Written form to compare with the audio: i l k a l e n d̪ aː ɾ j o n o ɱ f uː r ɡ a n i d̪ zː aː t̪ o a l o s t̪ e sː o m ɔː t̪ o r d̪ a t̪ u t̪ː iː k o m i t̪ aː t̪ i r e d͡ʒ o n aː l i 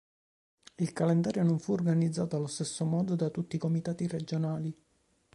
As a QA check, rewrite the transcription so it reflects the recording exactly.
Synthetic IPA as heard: i l k a l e n d̪ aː ɾ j o n o ɱ f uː r ɡ a n i d̪ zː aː t̪ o a l o s t̪ e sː o m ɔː d̪ o d̪ a t̪ u t̪ː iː k o m i t̪ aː t̪ i r e d͡ʒ o n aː l i